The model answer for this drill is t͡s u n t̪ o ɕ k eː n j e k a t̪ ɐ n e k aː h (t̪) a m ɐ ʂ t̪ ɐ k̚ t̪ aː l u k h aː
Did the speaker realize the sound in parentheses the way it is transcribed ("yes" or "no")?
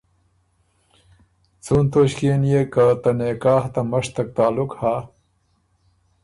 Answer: yes